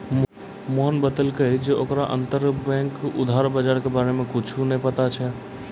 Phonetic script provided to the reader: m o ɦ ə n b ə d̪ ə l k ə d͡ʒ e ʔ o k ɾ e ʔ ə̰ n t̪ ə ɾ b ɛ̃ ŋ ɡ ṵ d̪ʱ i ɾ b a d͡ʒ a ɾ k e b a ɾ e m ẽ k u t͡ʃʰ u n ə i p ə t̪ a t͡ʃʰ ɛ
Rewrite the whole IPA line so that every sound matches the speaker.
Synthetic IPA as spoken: m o ɦ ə n b ə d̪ ə l k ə d͡ʒ e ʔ o k ɾ a ʔ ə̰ n t̪ ə ɾ b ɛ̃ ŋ k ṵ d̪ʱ a ɾ b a d͡ʒ a ɾ k e b a ɾ e m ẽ k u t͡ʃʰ u n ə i p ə t̪ a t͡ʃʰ ɛ

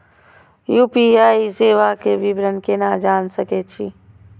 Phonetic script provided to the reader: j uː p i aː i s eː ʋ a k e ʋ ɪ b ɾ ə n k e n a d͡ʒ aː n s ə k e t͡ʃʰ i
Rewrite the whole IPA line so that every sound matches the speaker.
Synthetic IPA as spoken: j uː p i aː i s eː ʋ a k e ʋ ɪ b ɾ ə n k e n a d͡ʒ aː n s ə k e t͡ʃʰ i

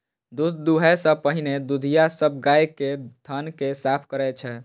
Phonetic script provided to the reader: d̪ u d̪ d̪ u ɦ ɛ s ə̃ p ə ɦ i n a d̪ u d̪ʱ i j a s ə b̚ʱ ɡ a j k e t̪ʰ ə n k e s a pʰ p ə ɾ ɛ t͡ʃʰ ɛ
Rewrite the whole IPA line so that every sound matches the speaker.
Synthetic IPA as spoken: d̪ u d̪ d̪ u ɦ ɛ s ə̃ p ə ɦ i n e d̪ u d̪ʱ i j a s ə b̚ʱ ɡ a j k e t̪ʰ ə n k e s a pʰ k ə ɾ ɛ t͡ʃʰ ɛ

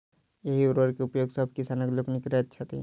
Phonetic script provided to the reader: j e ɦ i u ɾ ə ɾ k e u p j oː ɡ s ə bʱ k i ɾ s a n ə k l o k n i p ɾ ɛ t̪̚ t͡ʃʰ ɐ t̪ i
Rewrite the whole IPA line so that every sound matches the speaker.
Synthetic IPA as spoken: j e ɦ i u ɾ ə ɾ k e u p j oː ɡ s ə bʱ k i s a n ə k l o k n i k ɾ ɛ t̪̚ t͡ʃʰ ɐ t̪ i

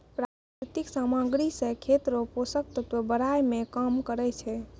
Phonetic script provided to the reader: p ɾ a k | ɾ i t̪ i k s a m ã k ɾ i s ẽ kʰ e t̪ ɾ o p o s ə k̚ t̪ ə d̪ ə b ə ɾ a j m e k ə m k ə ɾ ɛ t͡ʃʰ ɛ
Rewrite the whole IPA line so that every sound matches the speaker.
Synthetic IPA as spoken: p ɾ a k | ɾ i t̪ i k s a m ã ɡ ɾ i s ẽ kʰ e t̪ ɾ o p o s ə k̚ t̪ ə t̪ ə b ə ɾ a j m e k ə m k ə ɾ ɛ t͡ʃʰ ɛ

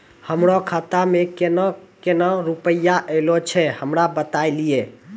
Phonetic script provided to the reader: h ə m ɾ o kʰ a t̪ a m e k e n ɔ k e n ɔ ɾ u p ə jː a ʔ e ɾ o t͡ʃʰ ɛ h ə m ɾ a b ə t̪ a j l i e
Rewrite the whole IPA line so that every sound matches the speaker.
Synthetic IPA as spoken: h ə m ɾ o kʰ a t̪ a m e k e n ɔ k e n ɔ ɾ u p ə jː a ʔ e l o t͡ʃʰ ɛ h ə m ɾ a b ə t̪ a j l i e

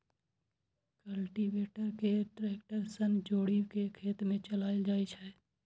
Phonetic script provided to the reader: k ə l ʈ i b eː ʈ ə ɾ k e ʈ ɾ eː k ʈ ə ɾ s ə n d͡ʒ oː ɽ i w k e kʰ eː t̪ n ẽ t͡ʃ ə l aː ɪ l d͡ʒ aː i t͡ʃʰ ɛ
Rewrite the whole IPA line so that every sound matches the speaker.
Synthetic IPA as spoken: k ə l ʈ i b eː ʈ ə ɾ k e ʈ ɾ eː k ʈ ə ɾ s ə n d͡ʒ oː ɽ i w k e kʰ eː t̪ m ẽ t͡ʃ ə l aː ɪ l d͡ʒ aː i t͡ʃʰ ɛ

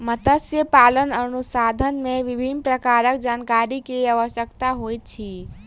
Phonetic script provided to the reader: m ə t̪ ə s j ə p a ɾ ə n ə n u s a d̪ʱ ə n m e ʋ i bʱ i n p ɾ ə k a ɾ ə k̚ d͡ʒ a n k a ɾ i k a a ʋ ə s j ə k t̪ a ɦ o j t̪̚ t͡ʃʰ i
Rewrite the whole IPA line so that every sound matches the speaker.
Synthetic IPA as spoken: m ə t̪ ə s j ə p a l ə n ə n u s a d̪ʱ ə n m e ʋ i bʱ i n p ɾ ə k a ɾ ə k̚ d͡ʒ a n k a ɾ i k e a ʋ ə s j ə k t̪ a ɦ o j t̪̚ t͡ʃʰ i

